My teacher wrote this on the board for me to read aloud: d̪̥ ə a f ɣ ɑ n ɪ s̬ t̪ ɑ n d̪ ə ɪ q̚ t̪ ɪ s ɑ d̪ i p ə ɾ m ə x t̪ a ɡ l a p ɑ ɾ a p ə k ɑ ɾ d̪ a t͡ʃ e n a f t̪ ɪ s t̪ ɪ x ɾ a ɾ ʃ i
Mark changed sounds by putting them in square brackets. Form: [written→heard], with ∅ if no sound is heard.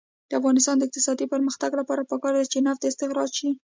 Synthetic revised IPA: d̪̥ ə a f ɣ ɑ n ɪ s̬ t̪ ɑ n d̪ ə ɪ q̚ t̪ ɪ s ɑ d̪ i p ə ɾ m ə x t̪ a ɡ l a p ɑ ɾ a p ə k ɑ ɾ d̪ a t͡ʃ e n a f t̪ ɪ s t̪ ɪ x ɾ [a→ɑ] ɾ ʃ i